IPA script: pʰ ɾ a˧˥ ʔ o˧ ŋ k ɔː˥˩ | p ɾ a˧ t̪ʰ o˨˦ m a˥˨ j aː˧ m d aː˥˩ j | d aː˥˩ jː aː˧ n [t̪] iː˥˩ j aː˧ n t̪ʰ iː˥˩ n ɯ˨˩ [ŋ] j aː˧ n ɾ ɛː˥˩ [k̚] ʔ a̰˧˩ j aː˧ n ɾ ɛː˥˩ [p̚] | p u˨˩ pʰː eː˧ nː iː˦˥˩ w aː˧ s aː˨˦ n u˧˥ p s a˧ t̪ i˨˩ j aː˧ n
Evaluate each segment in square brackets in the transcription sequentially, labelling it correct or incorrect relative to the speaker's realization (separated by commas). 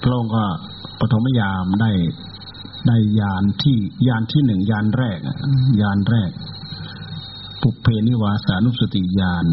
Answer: incorrect, correct, correct, incorrect